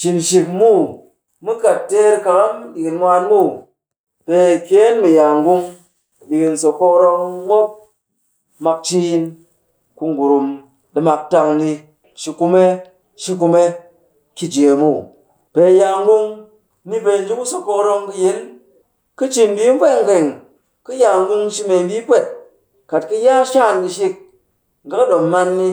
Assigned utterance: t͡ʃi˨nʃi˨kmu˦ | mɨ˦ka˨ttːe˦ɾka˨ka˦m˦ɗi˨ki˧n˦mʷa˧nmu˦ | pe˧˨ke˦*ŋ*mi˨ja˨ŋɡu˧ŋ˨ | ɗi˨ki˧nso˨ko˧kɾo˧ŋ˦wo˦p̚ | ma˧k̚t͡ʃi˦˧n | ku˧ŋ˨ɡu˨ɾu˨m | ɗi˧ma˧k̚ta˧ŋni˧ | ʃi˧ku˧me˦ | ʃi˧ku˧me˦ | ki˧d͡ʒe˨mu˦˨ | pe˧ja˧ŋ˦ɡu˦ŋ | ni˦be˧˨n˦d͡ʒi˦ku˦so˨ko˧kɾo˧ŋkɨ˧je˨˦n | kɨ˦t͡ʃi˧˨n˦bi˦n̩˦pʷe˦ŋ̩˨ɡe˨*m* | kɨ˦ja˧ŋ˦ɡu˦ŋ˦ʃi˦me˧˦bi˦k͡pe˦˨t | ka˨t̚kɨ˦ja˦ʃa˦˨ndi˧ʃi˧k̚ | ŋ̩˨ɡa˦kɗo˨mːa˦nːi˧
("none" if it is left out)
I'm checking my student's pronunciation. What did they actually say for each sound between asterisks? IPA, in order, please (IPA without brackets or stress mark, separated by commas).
n, ŋ